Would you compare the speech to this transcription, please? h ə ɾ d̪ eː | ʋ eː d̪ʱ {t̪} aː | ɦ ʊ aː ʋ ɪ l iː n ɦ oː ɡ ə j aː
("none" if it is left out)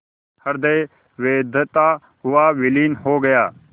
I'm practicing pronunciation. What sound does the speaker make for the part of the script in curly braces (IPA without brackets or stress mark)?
t̪